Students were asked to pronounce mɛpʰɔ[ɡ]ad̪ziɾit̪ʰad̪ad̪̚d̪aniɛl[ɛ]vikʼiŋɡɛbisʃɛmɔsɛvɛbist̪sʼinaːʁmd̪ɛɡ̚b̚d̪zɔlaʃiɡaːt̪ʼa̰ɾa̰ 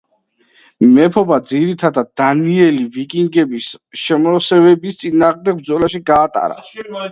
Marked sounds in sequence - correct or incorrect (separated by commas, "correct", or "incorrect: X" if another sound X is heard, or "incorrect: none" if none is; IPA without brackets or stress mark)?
incorrect: b, incorrect: i